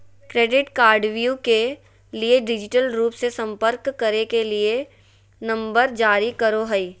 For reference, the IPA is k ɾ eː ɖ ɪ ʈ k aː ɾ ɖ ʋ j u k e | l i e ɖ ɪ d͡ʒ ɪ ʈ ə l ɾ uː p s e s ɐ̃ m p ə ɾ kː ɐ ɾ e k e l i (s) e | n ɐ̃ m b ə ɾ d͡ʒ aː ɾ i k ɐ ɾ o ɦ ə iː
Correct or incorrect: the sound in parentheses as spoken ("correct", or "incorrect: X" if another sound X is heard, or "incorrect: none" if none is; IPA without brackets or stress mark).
incorrect: none